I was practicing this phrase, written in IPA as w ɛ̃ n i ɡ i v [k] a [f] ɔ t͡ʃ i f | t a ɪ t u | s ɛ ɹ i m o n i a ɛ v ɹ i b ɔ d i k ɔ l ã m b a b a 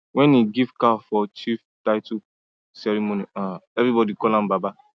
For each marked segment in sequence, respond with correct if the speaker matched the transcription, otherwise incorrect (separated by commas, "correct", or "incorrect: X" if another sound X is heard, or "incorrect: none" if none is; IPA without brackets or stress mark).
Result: correct, correct